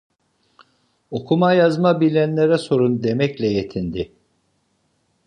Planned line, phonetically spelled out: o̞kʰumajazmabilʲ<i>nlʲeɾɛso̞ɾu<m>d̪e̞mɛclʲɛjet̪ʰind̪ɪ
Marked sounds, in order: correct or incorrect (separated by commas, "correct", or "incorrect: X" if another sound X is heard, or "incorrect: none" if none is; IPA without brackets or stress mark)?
incorrect: æ, incorrect: n